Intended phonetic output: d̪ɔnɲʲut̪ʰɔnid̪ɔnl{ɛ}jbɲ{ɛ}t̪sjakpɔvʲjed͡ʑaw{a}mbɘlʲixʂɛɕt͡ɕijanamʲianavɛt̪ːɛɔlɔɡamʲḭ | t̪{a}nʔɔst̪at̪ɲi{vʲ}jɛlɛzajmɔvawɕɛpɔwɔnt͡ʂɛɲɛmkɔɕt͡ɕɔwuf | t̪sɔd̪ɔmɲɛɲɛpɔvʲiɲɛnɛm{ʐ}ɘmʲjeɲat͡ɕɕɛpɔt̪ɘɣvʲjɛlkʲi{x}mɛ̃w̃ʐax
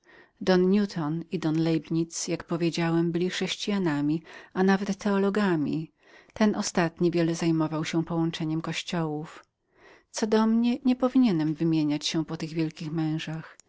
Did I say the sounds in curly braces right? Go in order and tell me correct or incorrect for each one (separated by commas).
correct, incorrect, incorrect, incorrect, correct, incorrect, correct